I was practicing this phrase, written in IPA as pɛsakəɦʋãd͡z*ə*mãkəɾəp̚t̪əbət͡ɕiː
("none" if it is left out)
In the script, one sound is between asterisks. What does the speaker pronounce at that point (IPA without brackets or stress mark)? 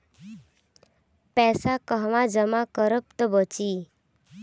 ə